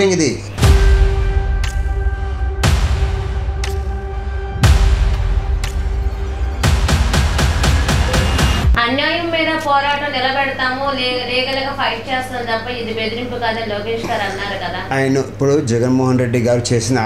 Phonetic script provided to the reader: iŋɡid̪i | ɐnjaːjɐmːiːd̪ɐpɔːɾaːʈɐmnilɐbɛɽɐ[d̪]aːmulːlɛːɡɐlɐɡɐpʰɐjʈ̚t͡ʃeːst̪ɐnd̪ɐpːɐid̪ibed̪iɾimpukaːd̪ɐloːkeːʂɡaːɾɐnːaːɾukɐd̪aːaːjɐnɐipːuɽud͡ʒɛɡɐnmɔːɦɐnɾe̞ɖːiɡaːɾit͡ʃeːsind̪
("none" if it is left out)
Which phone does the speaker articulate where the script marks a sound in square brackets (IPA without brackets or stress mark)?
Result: t̪